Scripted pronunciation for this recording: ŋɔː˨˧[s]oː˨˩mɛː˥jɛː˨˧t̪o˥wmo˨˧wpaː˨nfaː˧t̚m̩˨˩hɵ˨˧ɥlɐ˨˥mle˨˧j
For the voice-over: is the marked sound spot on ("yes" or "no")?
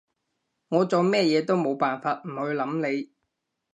no